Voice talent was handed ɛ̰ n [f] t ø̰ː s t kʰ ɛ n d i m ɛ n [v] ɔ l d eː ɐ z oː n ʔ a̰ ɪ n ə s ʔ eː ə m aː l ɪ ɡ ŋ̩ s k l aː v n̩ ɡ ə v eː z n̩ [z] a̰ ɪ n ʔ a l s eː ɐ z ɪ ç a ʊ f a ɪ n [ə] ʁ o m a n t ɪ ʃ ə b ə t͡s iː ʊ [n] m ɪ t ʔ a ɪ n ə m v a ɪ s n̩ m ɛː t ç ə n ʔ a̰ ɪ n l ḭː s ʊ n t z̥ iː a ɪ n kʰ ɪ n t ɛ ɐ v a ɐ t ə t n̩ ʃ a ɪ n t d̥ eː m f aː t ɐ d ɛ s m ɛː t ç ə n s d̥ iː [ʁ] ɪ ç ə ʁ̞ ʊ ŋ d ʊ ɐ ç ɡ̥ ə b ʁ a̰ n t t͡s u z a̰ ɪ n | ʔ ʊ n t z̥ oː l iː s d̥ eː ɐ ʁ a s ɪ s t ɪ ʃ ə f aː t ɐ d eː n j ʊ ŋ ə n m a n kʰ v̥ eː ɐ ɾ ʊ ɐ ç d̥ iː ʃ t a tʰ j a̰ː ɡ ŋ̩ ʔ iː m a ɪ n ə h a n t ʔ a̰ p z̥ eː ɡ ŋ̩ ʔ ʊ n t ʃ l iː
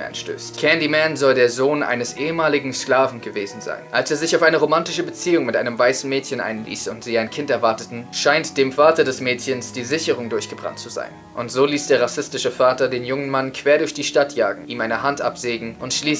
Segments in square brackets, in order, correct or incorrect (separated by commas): incorrect, incorrect, correct, correct, incorrect, incorrect